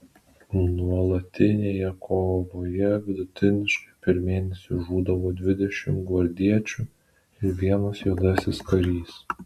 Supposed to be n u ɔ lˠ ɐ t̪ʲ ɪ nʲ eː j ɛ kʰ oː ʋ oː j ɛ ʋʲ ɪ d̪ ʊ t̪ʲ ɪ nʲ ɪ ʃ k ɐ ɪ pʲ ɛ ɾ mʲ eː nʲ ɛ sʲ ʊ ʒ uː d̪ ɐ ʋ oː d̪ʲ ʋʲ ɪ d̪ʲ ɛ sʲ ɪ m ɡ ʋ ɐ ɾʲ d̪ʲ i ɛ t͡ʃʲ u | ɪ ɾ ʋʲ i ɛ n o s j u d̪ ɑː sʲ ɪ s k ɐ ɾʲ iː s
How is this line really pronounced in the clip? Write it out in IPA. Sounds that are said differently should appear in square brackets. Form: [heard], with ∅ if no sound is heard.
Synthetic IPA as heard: n u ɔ lˠ ɐ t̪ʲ ɪ nʲ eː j ɛ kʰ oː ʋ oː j ɛ ʋʲ ɪ d̪ ʊ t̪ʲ ɪ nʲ ɪ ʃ k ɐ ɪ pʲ ɛ ɾ mʲ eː nʲ ɛ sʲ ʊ ʒ uː d̪ ɐ ʋ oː d̪ʲ ʋʲ ɪ d̪ʲ ɛ [ʃʲ] ɪ m ɡ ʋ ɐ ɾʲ d̪ʲ i ɛ t͡ʃʲ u | ɪ ɾ ʋʲ i ɛ n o s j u d̪ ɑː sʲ ɪ s k ɐ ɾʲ iː s